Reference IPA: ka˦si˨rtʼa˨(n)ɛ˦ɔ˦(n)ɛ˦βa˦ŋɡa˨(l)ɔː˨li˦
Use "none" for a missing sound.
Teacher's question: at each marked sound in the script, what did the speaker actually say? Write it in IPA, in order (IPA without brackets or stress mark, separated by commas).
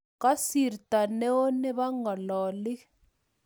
n, n, l